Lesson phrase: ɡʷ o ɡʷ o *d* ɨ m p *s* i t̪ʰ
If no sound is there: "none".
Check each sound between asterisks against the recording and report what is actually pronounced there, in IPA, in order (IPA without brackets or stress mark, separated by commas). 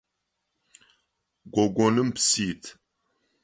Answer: n, s